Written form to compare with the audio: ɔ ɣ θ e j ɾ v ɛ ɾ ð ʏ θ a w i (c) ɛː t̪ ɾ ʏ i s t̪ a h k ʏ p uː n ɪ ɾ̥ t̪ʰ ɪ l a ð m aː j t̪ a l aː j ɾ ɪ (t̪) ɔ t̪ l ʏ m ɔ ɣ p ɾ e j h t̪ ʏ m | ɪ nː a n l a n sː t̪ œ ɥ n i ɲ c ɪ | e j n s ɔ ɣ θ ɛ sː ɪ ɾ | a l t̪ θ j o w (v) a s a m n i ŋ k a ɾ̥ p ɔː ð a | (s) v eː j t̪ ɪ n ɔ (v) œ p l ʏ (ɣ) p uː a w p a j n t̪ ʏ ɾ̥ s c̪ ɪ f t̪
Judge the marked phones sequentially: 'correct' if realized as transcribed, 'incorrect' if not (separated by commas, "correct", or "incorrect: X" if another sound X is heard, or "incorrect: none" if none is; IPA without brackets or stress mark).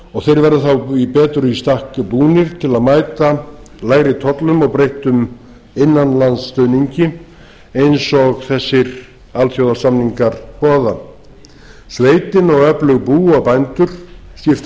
incorrect: p, incorrect: t̪ʰ, incorrect: ð, correct, incorrect: ɣ, correct